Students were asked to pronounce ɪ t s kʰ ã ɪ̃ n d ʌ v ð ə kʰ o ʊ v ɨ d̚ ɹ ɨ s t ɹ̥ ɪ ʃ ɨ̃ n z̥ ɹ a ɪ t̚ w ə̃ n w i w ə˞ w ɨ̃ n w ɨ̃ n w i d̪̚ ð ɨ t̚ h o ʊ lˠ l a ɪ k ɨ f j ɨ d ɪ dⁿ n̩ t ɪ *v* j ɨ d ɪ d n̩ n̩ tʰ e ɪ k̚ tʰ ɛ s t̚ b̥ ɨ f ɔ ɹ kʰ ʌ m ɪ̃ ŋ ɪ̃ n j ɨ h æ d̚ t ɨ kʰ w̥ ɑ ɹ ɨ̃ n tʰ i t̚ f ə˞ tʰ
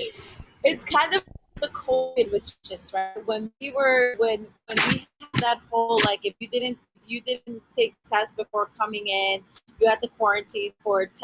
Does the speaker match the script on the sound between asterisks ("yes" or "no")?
no